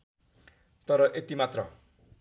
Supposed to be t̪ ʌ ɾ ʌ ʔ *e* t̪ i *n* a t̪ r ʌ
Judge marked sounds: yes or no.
yes, no

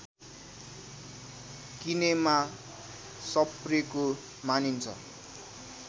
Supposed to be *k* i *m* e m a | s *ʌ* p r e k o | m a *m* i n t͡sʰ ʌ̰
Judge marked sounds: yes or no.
yes, no, yes, no

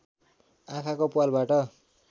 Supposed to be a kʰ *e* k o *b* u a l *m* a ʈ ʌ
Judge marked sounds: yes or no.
no, no, no

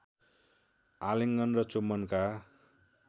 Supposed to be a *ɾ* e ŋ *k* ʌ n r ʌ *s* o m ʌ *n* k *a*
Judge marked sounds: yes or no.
no, no, no, yes, yes

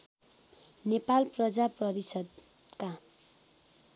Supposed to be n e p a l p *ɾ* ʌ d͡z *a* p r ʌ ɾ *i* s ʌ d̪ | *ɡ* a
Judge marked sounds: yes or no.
no, yes, yes, no

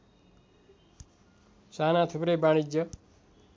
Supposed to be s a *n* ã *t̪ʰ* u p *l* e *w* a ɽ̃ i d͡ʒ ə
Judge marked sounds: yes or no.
yes, yes, no, no

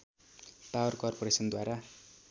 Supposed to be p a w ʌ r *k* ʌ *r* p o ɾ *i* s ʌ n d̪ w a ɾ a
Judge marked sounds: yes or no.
yes, yes, no

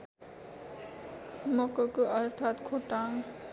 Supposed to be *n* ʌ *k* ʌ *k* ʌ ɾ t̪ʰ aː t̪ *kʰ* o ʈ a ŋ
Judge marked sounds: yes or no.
no, yes, yes, yes

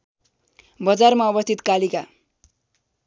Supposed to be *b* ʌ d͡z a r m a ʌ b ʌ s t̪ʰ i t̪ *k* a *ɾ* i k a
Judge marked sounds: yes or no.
yes, yes, no

